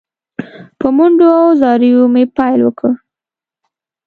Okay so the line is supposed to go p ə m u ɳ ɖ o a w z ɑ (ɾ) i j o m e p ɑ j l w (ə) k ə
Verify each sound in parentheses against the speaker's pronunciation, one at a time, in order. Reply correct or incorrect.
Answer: correct, correct

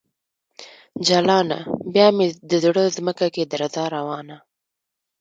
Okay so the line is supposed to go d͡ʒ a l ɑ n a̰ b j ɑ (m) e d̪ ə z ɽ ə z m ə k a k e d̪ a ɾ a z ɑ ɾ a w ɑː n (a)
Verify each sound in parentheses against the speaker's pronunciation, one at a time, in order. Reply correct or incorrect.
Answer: correct, correct

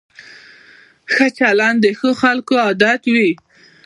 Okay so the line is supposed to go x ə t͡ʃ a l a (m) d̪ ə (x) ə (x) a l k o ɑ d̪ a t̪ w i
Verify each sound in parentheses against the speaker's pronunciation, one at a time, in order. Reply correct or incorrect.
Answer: incorrect: n, correct, correct

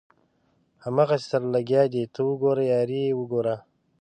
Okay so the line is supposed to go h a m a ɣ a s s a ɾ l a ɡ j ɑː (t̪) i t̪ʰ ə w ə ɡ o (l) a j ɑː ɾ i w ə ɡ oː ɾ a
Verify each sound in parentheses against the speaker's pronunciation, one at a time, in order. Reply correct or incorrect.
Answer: incorrect: d̪, incorrect: ɾ

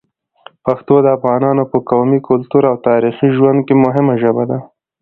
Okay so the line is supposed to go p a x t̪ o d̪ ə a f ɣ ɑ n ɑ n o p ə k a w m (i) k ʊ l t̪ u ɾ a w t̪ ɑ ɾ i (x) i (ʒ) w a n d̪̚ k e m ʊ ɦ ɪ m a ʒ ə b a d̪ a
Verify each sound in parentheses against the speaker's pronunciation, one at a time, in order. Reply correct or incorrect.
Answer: correct, correct, correct

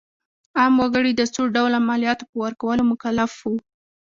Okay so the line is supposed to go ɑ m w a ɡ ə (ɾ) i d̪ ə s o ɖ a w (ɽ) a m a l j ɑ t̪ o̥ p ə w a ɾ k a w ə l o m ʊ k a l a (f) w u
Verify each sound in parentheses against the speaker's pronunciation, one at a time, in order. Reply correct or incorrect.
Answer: incorrect: ɽ, incorrect: l, correct

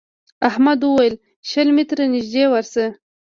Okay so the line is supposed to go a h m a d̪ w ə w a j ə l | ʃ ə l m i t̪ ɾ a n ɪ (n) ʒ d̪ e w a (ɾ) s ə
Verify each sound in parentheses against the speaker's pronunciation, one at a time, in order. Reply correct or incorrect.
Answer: incorrect: none, correct

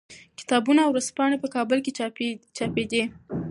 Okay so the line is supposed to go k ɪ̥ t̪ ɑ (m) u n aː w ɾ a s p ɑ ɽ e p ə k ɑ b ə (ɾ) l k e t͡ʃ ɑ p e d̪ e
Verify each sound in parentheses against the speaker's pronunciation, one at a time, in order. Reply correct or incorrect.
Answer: incorrect: b, incorrect: none

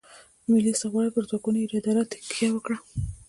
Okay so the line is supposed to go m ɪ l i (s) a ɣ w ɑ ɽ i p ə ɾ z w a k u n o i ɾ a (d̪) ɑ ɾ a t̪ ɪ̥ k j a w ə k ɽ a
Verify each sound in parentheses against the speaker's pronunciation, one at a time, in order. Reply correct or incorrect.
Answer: correct, correct

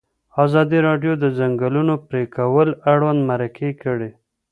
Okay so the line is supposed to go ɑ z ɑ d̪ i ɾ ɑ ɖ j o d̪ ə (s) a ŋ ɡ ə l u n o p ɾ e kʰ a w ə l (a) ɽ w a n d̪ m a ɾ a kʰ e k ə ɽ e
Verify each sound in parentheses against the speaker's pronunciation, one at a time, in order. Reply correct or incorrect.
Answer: incorrect: z, correct

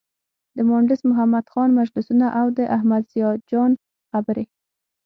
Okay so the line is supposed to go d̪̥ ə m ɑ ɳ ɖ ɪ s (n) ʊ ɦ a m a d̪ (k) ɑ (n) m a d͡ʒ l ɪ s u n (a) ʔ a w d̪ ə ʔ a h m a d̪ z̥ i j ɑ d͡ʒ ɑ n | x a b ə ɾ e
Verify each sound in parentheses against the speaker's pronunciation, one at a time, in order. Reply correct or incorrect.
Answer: incorrect: m, incorrect: x, correct, correct

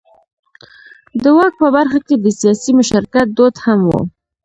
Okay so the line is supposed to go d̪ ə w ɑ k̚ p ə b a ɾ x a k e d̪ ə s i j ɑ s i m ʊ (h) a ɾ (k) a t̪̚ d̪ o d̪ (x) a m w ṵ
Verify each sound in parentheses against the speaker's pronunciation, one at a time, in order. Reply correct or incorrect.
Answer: incorrect: ʃ, correct, incorrect: h

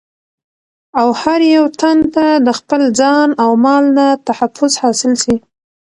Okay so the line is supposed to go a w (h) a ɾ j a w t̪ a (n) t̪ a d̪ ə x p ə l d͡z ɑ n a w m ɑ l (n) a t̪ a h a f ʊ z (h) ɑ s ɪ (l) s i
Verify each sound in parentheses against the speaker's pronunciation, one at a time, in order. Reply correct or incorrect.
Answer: correct, correct, correct, correct, correct

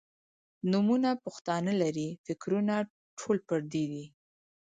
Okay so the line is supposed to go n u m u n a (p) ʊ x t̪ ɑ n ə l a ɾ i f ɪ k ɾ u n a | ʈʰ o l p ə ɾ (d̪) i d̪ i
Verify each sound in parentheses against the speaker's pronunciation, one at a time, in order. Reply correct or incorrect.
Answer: correct, correct

